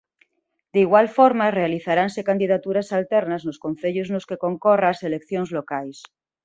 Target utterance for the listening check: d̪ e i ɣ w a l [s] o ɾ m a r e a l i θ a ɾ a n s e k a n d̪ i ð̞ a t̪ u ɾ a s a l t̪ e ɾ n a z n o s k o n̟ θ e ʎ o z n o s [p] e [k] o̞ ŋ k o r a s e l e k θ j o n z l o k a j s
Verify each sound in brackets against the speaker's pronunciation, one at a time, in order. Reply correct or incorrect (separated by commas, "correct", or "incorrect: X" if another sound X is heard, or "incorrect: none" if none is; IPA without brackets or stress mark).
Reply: incorrect: f, incorrect: k, correct